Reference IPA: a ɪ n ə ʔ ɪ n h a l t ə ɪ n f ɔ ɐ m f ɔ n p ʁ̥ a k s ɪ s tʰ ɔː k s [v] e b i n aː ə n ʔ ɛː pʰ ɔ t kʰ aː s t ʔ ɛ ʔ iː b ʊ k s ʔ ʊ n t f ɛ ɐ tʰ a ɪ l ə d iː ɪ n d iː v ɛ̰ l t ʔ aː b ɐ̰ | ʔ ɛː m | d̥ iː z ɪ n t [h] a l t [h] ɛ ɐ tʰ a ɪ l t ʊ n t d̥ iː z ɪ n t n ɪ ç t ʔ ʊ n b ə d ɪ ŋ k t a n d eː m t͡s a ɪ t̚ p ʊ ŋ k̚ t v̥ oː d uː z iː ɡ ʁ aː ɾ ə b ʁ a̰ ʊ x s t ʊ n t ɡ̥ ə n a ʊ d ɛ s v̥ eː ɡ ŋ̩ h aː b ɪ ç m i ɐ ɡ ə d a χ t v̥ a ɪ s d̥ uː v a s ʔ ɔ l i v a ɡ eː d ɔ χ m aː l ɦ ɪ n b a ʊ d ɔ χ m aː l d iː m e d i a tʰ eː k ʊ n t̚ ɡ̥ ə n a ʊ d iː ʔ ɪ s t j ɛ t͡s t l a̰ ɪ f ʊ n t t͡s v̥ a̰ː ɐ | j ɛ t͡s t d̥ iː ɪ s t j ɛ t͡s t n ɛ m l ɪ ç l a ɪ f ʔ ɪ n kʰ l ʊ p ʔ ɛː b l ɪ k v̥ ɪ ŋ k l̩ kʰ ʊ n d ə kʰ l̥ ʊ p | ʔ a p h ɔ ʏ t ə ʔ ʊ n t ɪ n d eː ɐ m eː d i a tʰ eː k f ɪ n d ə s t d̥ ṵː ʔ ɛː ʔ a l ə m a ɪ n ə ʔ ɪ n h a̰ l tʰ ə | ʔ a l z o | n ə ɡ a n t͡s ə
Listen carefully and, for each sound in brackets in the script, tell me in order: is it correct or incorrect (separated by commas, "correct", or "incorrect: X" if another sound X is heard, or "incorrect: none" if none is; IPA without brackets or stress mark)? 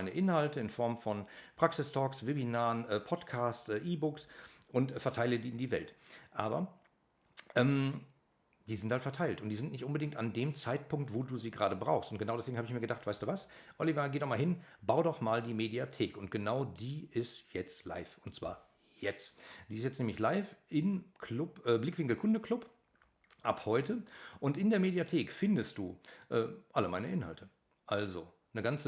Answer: correct, correct, incorrect: f